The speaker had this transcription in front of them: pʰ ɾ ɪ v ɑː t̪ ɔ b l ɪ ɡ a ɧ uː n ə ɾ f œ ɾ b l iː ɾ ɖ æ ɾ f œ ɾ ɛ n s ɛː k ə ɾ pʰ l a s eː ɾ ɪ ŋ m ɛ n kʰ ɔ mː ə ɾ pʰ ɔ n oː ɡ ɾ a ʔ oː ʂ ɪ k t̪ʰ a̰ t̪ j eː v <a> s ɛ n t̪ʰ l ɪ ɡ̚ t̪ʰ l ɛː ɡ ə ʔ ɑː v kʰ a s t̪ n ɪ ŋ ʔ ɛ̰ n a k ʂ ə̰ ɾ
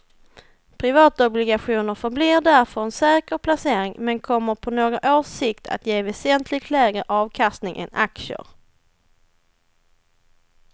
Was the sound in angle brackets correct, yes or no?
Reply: no